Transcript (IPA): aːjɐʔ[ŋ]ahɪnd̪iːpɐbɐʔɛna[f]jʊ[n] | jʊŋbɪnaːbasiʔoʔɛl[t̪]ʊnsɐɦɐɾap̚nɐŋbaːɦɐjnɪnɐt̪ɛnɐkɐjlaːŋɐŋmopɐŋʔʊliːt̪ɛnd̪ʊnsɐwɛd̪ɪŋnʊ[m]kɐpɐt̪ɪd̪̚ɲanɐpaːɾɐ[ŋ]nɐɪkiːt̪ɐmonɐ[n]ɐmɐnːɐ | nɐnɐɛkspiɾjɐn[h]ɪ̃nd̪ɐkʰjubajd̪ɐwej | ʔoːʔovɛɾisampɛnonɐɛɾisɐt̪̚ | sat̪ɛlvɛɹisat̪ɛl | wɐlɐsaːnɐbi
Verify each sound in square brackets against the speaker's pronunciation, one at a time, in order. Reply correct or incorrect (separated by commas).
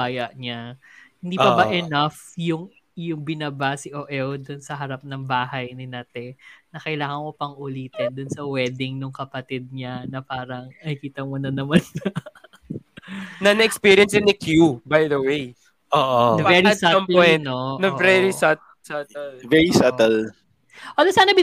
incorrect, correct, incorrect, incorrect, incorrect, correct, correct, incorrect